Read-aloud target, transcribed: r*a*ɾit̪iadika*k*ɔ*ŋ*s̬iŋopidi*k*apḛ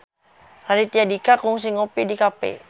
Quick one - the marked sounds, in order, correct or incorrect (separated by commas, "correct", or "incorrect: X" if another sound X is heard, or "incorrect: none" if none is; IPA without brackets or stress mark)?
correct, correct, correct, correct